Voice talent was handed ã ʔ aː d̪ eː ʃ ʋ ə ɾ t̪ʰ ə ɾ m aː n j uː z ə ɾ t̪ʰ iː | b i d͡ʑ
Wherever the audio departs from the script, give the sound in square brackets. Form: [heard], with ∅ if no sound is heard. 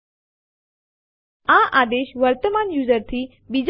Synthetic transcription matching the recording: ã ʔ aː d̪ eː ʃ ʋ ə ɾ [t̪] ə [∅] m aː n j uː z ə ɾ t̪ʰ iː | b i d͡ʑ

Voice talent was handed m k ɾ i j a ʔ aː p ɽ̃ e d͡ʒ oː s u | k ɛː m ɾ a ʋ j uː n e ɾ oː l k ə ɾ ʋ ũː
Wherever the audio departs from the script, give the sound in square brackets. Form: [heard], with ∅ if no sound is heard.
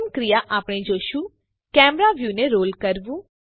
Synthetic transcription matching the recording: m k ɾ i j a ʔ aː p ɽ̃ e d͡ʒ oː [ʃ] u | k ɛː m ɾ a ʋ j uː n e ɾ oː l k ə ɾ ʋ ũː

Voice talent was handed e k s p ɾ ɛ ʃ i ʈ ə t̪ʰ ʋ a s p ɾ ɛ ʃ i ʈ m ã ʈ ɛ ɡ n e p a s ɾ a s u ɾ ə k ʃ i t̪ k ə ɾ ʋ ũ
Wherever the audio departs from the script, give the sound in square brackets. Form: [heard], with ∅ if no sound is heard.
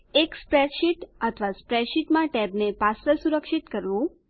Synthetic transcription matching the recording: e k s p ɾ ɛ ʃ i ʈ ə t̪ʰ ʋ a s p ɾ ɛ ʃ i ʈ m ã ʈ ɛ [b] n e p a s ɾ [ə] s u ɾ ə k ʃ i t̪ k ə ɾ ʋ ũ

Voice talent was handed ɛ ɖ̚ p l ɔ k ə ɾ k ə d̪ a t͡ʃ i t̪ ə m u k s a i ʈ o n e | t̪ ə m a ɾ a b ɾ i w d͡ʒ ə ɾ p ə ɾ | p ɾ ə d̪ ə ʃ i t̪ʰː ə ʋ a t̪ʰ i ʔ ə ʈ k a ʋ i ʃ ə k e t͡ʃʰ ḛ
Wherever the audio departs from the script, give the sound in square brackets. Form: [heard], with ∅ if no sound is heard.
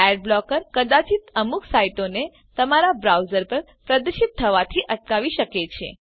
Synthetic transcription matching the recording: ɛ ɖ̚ [b] l ɔ k ə ɾ k ə d̪ a t͡ʃ i t̪ ə m u k s a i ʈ o n e | t̪ ə m a ɾ a b ɾ [a] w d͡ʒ ə ɾ p ə ɾ | p ɾ ə d̪ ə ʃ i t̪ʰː ə ʋ a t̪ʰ i ʔ ə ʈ k a ʋ i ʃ ə k e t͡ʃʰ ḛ

